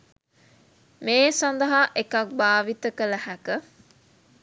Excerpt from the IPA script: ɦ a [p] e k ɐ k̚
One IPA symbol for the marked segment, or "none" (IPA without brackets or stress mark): ʔ